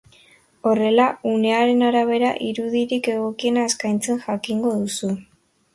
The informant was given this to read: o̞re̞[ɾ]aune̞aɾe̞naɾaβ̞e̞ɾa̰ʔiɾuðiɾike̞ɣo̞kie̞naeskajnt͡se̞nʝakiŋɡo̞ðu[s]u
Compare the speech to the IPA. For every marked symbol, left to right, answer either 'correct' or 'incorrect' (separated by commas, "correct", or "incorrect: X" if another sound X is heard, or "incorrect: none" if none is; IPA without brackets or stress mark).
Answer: incorrect: l, correct